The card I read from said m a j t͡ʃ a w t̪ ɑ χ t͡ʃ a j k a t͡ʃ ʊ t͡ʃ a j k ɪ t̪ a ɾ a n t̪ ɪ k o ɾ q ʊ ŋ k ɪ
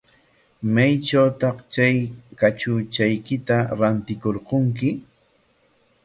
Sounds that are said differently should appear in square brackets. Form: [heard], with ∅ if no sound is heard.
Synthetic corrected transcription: m a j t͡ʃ a w t̪ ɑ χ t͡ʃ a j k a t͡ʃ ʊ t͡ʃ a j k ɪ t̪ a ɾ a n t̪ ɪ k o ɾ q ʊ ŋ k ɪ